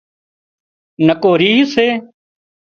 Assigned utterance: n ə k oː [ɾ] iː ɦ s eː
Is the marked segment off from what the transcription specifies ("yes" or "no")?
no